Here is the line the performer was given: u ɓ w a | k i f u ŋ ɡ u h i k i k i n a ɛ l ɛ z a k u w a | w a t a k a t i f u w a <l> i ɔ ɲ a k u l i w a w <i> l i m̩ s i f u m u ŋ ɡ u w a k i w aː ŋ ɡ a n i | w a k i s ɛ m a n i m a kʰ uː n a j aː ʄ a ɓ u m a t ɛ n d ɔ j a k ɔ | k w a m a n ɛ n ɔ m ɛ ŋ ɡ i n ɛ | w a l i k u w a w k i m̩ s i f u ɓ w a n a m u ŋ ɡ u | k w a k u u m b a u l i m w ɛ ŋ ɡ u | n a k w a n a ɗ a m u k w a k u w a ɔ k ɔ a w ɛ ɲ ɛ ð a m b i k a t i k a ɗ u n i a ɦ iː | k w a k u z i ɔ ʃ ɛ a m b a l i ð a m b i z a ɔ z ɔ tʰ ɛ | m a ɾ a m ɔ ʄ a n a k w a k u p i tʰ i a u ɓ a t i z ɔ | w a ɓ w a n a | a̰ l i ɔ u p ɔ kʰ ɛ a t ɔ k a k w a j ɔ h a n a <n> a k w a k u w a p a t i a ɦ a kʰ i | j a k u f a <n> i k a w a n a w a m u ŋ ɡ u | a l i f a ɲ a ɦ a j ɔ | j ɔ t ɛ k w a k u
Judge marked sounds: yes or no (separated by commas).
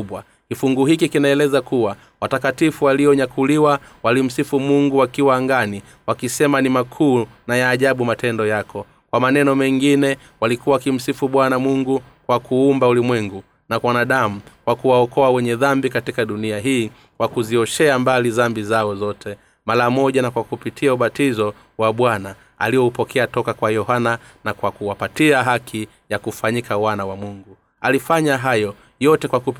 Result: yes, no, yes, no